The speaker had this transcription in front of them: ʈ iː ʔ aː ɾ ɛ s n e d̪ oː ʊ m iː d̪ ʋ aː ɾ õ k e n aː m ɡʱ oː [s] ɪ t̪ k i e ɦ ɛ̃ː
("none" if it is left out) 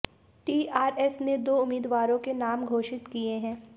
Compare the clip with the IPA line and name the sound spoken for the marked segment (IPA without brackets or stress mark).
ʃ